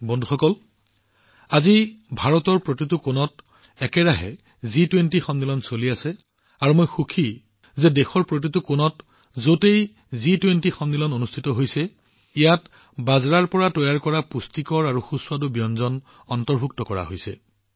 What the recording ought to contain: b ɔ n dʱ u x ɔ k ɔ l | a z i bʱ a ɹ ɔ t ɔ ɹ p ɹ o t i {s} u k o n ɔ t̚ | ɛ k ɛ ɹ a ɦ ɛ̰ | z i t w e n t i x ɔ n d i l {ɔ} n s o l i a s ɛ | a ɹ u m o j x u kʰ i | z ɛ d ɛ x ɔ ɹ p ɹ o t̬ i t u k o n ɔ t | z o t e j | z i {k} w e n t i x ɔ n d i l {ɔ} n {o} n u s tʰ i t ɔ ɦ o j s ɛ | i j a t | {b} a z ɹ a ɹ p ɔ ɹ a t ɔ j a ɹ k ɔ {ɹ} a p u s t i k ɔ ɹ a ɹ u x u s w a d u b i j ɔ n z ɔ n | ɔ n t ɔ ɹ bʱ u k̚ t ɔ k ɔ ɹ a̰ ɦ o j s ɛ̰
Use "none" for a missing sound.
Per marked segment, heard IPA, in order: t, ɔ, t, ɔ, o, b, ɹ

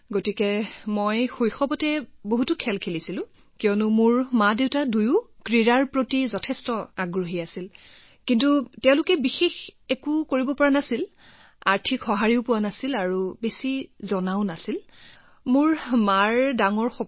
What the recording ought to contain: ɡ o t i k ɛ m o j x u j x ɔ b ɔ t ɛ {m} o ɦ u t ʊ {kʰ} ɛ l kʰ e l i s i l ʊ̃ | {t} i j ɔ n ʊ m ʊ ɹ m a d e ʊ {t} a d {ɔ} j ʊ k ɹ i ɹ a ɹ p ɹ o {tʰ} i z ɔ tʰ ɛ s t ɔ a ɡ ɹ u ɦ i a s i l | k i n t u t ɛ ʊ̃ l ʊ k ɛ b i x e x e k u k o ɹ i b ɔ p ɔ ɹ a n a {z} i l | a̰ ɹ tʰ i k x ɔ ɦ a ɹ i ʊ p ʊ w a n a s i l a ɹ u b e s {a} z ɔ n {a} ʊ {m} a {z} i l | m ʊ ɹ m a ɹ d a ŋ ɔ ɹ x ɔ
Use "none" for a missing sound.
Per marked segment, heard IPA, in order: b, kʰ, k, t, u, t, s, i, a, n, s

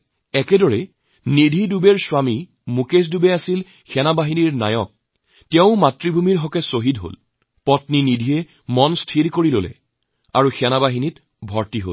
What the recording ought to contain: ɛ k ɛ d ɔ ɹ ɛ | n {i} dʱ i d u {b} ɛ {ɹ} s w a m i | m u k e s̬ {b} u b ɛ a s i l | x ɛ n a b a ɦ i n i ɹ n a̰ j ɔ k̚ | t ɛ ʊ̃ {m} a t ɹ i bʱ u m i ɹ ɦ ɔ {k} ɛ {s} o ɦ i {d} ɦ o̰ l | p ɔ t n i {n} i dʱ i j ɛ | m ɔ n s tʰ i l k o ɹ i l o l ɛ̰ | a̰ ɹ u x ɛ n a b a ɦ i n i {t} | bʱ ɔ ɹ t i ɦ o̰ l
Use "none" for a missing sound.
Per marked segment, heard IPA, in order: i, b, ɹ, d, m, k, s, d, n, t

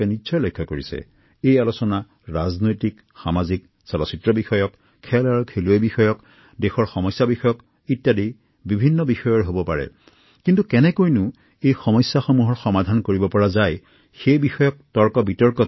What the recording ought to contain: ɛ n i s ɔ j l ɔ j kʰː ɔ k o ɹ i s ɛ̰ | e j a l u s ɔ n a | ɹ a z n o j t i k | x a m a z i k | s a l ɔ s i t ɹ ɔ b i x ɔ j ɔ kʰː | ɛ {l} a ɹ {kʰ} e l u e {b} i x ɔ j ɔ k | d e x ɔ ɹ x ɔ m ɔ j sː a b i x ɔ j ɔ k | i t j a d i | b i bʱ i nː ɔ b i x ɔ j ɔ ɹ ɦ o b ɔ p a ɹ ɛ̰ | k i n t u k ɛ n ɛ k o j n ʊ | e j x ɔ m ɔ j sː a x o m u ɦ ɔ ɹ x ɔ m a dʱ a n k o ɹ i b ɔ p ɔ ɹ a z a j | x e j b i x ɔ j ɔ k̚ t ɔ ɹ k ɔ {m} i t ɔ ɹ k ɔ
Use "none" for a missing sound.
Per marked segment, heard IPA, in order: l, kʰ, b, b

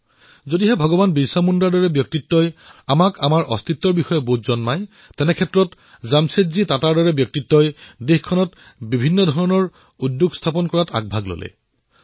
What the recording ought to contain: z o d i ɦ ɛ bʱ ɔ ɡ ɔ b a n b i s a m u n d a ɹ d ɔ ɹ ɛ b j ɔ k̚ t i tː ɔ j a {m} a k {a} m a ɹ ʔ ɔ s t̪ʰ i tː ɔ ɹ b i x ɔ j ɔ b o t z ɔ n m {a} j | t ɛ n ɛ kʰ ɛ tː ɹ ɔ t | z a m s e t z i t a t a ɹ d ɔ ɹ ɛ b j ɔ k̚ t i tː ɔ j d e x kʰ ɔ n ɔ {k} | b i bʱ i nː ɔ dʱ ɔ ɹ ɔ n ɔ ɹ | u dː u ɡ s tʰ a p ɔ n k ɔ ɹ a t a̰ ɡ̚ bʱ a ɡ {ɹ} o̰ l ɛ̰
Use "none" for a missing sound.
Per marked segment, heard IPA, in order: m, a, a, t, l

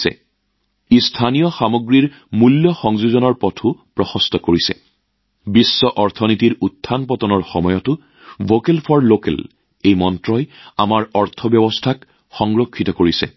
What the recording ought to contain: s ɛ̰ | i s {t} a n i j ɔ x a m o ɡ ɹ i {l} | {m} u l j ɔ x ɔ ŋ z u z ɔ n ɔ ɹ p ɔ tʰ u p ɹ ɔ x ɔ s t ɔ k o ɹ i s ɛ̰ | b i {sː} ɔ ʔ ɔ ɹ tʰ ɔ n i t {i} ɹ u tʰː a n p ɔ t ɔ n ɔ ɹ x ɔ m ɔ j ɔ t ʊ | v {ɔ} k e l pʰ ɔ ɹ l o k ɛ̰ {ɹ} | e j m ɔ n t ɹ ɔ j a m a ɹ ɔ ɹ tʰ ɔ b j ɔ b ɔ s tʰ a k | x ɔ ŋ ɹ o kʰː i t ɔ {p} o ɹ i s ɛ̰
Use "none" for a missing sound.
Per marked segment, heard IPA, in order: tʰ, ɹ, m, sː, i, o, l, k

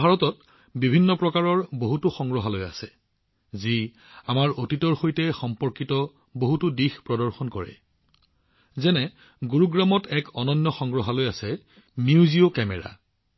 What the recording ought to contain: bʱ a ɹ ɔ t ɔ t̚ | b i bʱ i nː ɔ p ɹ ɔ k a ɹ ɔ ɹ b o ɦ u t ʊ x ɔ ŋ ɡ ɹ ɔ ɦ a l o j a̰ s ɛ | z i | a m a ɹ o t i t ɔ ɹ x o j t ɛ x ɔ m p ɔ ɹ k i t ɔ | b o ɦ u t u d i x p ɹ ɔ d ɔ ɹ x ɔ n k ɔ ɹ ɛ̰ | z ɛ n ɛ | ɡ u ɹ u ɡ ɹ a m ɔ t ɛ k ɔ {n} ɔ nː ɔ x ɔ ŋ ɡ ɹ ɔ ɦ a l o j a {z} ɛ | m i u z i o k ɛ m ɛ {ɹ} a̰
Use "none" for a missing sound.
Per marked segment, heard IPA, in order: n, s, ɹ

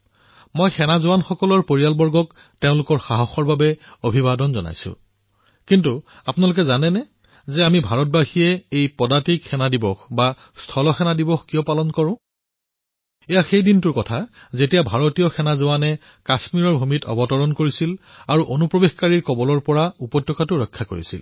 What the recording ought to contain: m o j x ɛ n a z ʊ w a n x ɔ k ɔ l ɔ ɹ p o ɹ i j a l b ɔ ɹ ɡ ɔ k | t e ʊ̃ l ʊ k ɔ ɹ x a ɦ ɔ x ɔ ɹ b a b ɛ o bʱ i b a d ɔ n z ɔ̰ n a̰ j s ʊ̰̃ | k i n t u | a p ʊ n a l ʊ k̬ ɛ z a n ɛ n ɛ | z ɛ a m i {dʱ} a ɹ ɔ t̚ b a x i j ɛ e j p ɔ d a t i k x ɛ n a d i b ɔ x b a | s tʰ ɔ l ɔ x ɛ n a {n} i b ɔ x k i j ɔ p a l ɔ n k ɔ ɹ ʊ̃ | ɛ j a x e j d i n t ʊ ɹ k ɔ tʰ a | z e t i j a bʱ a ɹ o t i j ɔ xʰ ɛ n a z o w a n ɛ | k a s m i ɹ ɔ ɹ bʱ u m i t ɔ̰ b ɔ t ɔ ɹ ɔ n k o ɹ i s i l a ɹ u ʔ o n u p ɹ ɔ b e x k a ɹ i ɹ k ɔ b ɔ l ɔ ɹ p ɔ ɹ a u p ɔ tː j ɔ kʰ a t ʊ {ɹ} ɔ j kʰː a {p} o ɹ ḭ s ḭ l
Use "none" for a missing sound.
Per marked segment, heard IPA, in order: bʱ, d, ɹ, k

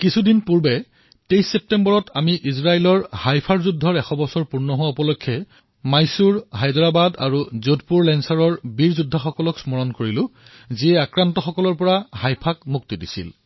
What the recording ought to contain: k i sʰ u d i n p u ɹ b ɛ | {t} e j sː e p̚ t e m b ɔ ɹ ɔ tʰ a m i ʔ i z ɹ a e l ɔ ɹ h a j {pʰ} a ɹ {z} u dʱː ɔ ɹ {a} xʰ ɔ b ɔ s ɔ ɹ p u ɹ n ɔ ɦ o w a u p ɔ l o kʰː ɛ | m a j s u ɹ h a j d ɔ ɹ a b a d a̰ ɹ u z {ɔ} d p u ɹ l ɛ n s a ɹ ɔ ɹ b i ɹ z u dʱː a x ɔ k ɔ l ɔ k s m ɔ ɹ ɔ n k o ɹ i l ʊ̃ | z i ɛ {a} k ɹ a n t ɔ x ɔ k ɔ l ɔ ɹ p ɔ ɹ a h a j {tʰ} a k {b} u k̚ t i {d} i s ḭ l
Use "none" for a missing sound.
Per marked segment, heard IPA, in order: t, pʰ, z, ɛ, o, a, pʰ, m, d

